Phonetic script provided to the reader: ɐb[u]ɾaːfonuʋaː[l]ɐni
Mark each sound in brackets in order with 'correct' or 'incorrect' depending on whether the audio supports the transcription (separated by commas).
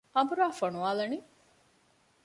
correct, correct